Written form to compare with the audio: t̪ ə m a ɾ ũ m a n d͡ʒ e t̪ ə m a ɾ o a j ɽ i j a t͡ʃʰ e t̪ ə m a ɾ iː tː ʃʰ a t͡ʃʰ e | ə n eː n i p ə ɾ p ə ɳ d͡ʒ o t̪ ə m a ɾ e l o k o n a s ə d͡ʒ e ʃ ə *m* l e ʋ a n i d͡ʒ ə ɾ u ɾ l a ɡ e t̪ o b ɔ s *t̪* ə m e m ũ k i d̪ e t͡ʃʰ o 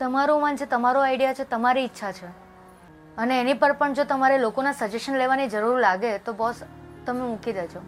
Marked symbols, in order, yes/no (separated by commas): no, yes